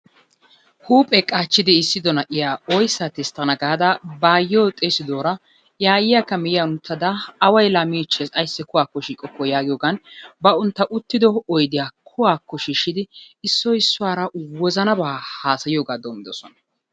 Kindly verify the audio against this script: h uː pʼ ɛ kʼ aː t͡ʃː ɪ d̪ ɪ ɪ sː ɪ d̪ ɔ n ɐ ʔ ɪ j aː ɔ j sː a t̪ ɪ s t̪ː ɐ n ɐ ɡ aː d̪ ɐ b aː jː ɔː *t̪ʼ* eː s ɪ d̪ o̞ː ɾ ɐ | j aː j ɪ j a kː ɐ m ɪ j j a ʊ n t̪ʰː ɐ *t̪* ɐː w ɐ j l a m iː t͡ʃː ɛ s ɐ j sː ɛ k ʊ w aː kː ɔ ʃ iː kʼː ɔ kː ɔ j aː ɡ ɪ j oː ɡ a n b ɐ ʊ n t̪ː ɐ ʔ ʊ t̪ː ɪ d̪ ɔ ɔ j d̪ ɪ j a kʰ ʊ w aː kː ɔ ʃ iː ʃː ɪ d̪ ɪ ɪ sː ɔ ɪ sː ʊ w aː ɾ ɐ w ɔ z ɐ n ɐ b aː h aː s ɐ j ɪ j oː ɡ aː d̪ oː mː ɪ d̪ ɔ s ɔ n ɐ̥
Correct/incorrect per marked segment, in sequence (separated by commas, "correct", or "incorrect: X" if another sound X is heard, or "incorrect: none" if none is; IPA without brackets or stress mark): correct, incorrect: d̪